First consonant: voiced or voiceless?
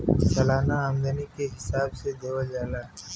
voiceless